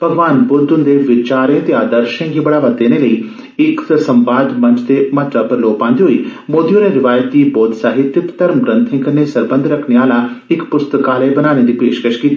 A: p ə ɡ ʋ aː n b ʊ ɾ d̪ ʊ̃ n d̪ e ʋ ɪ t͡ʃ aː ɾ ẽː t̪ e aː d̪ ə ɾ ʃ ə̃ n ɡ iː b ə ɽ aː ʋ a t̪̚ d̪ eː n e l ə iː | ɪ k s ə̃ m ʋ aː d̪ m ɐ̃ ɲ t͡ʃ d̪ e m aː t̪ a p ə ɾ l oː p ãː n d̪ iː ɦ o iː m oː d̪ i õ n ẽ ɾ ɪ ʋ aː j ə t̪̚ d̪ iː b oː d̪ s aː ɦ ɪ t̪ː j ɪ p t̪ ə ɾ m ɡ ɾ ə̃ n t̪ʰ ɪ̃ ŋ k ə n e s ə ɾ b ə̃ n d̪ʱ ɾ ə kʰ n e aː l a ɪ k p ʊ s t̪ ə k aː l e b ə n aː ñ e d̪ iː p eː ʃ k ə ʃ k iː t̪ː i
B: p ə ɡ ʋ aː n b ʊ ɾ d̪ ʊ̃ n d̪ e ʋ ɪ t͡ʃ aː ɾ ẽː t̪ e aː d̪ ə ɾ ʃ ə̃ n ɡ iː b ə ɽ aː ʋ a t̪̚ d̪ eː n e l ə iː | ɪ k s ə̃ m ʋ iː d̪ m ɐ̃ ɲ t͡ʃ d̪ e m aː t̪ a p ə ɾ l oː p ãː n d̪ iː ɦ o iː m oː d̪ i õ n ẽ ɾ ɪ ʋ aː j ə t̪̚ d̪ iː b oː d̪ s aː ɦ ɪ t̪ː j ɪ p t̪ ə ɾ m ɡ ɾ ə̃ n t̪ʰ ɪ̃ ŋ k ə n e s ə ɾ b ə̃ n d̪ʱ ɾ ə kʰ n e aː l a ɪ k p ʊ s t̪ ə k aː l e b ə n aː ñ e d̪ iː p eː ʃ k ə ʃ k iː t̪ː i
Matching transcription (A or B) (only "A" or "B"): A